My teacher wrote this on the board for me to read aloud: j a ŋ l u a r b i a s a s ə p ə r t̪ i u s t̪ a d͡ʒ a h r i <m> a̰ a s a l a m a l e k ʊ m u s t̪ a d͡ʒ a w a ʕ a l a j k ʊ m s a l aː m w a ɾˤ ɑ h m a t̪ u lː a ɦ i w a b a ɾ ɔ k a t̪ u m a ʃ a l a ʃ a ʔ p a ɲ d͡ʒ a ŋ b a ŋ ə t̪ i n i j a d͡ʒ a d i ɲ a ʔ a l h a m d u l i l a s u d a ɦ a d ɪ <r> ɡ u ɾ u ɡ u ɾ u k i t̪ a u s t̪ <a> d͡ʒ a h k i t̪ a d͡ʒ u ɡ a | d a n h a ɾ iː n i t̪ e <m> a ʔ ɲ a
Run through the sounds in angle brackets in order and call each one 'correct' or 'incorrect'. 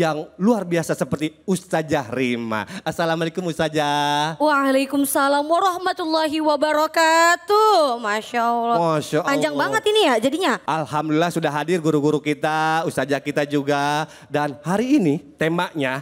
correct, correct, correct, correct

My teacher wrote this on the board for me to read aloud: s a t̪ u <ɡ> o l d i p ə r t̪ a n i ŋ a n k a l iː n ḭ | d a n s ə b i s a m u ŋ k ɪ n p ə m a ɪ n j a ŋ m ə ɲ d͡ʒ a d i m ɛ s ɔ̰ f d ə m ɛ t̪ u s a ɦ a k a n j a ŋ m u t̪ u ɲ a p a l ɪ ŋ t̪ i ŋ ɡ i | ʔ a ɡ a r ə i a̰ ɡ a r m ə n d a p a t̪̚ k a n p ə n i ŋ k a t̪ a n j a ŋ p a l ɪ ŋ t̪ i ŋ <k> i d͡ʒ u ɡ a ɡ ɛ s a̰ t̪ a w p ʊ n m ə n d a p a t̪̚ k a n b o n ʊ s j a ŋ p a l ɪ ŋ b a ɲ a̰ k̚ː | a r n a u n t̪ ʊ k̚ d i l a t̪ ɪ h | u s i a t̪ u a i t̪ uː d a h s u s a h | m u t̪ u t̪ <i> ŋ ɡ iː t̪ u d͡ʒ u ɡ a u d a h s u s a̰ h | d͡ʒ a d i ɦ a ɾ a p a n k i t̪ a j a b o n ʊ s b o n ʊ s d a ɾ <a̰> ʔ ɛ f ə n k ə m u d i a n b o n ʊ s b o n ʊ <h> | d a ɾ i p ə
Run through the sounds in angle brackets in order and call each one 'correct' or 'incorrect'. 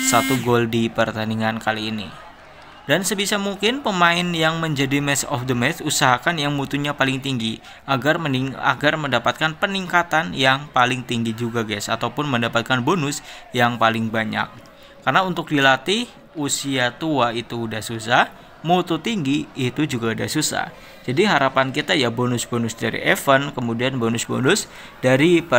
correct, incorrect: ɡ, correct, incorrect: ḭ, incorrect: s

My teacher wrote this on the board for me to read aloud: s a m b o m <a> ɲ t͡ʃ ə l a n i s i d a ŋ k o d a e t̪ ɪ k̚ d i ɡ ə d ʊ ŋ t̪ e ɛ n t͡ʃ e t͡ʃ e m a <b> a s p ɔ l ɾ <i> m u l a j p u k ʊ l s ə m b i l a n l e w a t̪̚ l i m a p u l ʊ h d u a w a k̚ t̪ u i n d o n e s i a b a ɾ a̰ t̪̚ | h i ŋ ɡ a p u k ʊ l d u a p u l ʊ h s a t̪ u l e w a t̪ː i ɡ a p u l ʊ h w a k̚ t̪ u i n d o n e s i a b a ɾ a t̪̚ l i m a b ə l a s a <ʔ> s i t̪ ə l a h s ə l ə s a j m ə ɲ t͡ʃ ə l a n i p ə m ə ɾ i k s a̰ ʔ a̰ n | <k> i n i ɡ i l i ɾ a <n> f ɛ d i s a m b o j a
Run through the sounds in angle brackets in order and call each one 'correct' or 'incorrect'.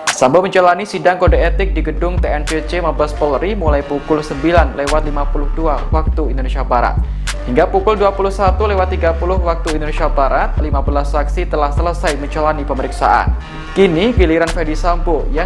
incorrect: ə, correct, correct, incorrect: k, correct, correct

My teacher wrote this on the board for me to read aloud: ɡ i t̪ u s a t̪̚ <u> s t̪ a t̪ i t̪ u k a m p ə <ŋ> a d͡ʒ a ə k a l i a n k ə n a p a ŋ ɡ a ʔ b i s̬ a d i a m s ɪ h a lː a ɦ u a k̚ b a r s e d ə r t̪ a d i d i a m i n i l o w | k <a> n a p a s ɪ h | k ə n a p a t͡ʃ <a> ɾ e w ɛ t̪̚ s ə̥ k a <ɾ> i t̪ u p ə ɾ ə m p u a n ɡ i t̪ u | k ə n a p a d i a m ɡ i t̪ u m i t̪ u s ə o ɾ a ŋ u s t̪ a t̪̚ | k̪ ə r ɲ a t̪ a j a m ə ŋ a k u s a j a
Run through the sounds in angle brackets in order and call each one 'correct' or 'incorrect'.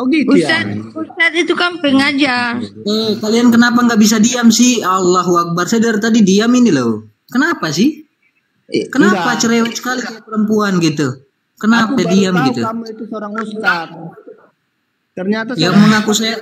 correct, correct, incorrect: ə, incorrect: ə, incorrect: l

